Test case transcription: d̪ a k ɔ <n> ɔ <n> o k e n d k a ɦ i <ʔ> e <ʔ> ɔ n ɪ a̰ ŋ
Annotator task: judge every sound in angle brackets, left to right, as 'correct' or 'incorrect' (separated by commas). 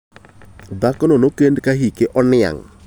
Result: correct, correct, incorrect, correct